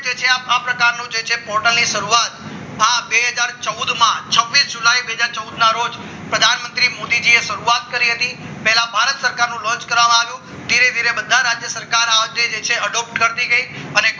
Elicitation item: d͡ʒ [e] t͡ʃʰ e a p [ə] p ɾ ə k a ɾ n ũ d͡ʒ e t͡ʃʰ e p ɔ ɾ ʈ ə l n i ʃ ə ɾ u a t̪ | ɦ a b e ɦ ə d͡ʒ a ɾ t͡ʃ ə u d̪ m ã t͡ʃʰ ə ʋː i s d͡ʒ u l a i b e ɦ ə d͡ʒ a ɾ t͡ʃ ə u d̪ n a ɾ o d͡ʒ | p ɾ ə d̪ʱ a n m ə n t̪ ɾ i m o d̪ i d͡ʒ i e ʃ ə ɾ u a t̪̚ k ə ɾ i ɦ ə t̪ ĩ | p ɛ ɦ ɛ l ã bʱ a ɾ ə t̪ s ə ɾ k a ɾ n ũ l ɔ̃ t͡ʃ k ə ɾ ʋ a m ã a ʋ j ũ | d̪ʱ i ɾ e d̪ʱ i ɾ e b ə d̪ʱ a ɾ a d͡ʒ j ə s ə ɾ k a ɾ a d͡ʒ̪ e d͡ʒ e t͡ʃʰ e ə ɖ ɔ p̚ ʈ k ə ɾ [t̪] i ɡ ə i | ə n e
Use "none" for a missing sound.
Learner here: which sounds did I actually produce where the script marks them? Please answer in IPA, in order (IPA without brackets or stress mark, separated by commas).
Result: e, a, t̪